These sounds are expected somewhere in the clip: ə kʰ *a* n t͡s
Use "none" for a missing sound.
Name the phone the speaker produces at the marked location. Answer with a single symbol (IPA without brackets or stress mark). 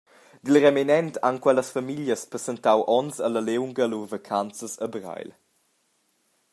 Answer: a